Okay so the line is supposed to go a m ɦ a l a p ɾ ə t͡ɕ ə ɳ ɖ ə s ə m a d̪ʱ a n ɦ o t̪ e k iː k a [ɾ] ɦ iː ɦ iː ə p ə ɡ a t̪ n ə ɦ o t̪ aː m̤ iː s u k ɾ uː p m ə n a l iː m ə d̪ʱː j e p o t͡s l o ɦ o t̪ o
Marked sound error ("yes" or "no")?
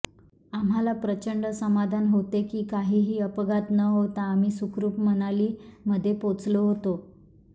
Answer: yes